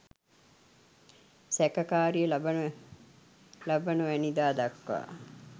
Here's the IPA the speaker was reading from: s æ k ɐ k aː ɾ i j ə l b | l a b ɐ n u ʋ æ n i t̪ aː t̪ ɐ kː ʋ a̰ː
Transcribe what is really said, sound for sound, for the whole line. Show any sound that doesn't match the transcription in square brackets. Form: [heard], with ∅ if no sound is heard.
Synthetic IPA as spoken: s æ k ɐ k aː ɾ i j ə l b | l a b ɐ n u ʋ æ n i [d̪] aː [d̪] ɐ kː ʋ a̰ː